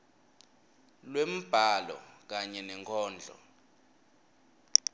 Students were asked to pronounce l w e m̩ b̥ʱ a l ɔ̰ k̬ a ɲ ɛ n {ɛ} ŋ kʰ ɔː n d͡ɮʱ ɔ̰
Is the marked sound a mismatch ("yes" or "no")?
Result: no